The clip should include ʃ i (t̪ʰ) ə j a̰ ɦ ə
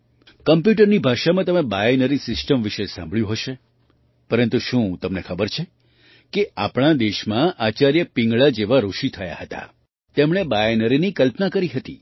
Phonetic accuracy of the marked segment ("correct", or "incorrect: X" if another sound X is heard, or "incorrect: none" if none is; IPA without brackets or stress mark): correct